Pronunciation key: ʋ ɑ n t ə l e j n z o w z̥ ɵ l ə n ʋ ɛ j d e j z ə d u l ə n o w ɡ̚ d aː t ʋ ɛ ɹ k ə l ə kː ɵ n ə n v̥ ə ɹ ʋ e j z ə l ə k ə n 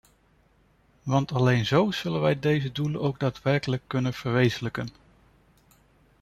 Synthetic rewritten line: ʋ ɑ n t ɑ l e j n z o w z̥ ɵ l ə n ʋ ɛ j d e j z ə d u l ə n o w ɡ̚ d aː t ʋ ɛ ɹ k ə l ə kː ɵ n ə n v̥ ə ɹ ʋ e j z ə l ə k ə n